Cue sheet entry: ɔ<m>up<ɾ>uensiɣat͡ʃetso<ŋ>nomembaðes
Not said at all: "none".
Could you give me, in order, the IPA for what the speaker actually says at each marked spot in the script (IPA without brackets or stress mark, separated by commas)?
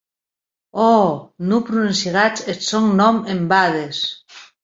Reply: n, ɾ, ŋ